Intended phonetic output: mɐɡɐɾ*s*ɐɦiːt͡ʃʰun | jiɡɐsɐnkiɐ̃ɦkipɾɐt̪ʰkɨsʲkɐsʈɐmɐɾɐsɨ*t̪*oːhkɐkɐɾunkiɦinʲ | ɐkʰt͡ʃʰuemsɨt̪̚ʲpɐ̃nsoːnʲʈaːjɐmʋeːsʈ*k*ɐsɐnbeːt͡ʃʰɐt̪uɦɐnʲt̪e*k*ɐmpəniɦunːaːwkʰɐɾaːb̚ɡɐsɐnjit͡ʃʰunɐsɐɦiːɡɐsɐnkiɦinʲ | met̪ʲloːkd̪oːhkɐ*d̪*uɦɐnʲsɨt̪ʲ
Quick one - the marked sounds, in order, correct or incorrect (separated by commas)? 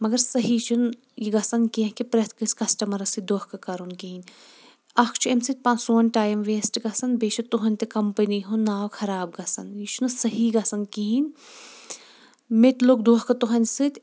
correct, incorrect, incorrect, correct, incorrect